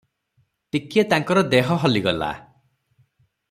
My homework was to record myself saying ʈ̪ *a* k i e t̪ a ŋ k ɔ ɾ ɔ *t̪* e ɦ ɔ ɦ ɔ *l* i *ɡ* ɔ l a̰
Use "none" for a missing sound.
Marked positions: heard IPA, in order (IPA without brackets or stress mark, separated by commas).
i, d̪, l, ɡ